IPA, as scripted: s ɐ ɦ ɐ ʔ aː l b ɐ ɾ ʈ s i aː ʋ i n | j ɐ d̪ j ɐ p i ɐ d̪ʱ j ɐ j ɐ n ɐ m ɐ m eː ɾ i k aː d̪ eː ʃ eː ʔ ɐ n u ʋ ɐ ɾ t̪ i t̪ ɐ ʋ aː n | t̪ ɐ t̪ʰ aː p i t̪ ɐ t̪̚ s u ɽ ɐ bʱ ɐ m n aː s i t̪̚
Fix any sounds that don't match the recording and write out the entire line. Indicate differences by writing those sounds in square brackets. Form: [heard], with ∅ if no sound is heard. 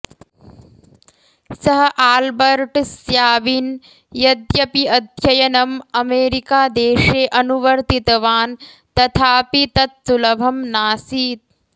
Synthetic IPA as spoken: s ɐ ɦ ɐ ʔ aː l b ɐ ɾ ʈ s [j] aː ʋ i n | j ɐ d̪ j ɐ p i ɐ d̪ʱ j ɐ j ɐ n ɐ m ɐ m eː ɾ i k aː d̪ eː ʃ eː ʔ ɐ n u ʋ ɐ ɾ t̪ i t̪ ɐ ʋ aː n | t̪ ɐ t̪ʰ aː p i t̪ ɐ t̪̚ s u [l] ɐ bʱ ɐ m n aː s [iː] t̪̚